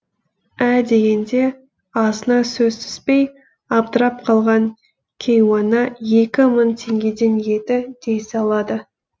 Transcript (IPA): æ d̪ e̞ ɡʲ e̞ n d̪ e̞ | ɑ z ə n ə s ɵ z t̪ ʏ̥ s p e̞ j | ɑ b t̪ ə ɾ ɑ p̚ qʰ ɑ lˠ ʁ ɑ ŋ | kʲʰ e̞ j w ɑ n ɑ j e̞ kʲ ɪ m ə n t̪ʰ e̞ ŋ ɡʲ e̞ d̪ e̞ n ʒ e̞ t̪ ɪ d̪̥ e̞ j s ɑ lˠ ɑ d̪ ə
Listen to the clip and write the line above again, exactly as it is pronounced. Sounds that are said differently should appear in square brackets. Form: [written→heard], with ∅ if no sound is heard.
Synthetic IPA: æ d̪ e̞ ɡʲ e̞ n d̪ e̞ | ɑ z ə n [ə→ɑ] s ɵ z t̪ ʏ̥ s p e̞ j | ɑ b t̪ ə ɾ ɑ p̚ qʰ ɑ lˠ ʁ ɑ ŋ | kʲʰ e̞ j w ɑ n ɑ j e̞ kʲ ɪ m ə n t̪ʰ e̞ ŋ ɡʲ e̞ d̪ e̞ n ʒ e̞ t̪ ɪ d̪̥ e̞ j s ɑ lˠ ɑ d̪ ə